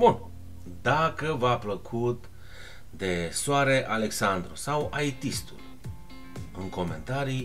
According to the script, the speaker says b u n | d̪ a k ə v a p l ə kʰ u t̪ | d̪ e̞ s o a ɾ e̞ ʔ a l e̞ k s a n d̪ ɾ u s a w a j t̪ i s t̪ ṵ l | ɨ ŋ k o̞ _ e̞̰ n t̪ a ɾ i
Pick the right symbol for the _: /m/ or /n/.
m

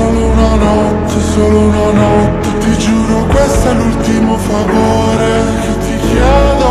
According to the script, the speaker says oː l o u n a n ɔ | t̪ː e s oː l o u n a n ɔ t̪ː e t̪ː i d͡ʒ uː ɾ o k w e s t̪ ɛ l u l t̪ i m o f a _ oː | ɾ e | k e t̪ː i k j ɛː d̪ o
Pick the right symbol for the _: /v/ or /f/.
v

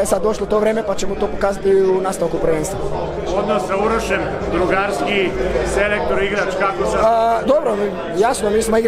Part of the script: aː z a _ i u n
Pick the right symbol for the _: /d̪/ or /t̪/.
t̪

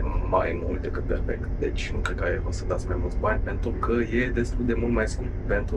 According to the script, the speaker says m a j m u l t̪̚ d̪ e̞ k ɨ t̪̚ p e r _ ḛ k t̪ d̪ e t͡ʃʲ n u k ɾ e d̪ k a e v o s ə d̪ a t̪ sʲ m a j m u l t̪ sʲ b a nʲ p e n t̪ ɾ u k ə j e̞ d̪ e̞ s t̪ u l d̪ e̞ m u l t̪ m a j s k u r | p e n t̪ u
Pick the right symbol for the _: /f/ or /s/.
f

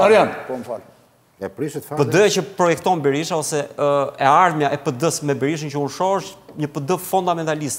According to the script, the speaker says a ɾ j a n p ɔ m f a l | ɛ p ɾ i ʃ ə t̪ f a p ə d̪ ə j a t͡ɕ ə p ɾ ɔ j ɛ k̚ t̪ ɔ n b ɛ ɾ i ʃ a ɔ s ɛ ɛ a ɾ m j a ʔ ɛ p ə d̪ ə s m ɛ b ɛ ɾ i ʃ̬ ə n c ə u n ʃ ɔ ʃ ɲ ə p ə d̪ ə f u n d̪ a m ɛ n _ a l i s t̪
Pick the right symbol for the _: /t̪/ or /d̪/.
t̪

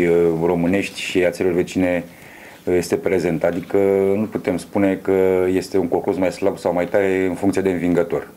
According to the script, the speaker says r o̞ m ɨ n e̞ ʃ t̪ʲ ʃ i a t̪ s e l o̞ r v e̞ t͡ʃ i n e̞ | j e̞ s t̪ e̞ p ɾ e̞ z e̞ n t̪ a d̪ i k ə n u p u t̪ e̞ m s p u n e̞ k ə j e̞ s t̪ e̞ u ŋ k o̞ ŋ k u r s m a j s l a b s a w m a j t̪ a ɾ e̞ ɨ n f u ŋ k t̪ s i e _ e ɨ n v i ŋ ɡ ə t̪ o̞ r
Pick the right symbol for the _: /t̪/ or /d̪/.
d̪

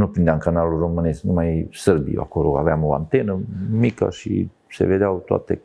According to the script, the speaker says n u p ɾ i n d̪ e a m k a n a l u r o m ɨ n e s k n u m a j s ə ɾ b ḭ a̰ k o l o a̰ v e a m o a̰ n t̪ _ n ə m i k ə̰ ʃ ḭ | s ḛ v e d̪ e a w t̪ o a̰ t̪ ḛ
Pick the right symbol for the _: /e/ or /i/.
e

